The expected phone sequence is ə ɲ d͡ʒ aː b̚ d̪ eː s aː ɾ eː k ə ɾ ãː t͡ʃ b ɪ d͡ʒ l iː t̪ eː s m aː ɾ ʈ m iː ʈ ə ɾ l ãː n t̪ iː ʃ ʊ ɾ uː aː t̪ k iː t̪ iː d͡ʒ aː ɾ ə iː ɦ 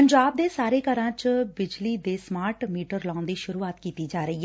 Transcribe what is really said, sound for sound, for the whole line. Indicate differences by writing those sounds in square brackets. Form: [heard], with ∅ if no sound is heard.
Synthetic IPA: ə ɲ d͡ʒ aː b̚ d̪ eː s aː ɾ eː k ə ɾ ãː t͡ʃ b ɪ d͡ʒ l iː [d̪] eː s m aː ɾ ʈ m iː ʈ ə ɾ l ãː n [d̪] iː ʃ ʊ ɾ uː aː t̪ k iː t̪ iː d͡ʒ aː ɾ ə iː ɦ